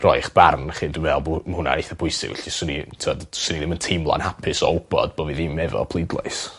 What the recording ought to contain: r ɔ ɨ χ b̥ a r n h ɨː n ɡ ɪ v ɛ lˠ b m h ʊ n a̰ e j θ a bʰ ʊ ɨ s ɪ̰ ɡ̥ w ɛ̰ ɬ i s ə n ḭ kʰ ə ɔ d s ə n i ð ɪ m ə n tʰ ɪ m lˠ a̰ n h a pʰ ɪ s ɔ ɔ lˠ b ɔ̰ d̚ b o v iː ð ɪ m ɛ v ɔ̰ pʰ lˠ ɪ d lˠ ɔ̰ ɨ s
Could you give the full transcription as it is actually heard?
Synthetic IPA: r ɔ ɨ χ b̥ a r n χ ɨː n d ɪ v ɛ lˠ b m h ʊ n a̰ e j θ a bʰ ʊ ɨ s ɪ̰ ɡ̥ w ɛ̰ ɬ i s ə n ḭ tʰ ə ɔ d s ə n i ð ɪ m ə n tʰ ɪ m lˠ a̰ n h a pʰ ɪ s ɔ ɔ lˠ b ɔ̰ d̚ b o v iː ð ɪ m ɛ v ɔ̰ pʰ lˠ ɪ d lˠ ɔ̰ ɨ s